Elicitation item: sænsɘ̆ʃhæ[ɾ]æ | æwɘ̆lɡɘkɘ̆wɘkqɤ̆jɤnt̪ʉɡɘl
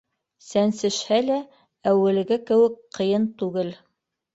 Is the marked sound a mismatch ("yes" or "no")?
yes